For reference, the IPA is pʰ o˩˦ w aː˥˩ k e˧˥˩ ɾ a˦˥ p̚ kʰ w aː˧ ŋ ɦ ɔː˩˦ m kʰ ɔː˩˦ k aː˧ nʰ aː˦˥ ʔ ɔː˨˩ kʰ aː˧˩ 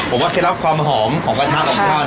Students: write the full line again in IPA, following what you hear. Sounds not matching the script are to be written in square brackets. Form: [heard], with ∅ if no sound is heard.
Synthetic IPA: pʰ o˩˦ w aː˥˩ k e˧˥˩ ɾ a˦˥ p̚ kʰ w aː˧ [m] ɦ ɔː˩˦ m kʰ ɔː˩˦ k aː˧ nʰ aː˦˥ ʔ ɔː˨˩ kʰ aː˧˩